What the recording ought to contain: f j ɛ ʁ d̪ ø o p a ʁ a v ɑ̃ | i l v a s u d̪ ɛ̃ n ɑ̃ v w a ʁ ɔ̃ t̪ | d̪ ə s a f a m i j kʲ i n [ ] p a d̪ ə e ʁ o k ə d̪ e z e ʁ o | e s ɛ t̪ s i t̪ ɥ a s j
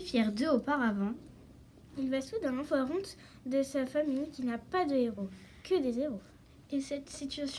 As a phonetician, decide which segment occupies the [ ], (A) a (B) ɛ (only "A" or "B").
A